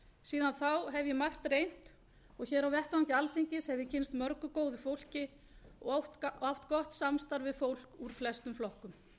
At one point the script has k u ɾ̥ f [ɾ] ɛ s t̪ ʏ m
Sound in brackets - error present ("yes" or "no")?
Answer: yes